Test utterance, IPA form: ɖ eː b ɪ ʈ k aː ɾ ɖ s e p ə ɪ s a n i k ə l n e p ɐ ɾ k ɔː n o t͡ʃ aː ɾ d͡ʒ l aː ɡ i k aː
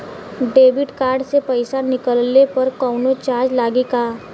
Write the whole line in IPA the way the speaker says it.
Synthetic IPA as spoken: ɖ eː b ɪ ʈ k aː ɾ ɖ s e p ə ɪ s a n ɪ k ə l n e p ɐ ɾ k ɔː n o t͡ʃ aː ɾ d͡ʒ l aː ɡ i k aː